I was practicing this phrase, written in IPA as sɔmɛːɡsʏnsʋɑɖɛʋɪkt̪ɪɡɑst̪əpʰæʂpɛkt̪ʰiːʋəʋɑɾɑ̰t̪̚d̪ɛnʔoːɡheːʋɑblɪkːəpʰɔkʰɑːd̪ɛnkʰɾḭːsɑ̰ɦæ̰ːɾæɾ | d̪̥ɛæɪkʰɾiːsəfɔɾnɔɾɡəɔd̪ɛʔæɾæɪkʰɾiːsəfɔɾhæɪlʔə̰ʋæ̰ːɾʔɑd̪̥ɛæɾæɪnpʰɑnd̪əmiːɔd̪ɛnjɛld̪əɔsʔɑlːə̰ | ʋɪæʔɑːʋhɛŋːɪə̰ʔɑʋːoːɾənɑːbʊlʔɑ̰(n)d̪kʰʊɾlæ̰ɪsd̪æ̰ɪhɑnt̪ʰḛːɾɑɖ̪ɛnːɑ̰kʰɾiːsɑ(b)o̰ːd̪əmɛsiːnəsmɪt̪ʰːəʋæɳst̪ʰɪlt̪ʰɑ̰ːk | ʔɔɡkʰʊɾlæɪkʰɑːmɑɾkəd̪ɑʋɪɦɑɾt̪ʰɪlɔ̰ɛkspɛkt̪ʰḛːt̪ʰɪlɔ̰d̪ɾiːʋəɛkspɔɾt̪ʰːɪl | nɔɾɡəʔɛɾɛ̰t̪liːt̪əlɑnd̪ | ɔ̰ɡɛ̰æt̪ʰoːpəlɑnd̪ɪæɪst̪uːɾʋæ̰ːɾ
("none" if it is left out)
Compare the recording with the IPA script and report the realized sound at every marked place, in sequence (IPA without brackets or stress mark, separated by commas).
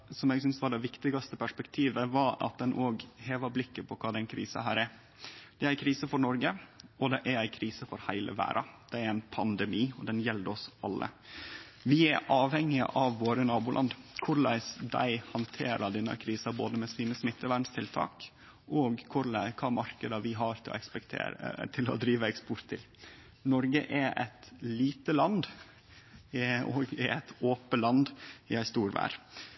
n, b